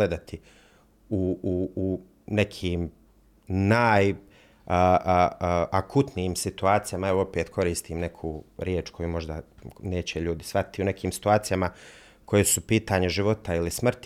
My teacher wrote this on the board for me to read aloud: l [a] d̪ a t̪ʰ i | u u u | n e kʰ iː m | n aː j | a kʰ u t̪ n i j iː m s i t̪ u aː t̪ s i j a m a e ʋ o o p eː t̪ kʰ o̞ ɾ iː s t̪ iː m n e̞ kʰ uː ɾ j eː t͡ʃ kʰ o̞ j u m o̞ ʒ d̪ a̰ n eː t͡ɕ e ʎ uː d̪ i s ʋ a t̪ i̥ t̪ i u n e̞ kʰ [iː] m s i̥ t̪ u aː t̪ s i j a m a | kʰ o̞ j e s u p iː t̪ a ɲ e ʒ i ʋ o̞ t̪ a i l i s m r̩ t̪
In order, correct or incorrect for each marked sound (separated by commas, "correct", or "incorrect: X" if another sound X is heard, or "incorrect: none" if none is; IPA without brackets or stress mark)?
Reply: incorrect: e, correct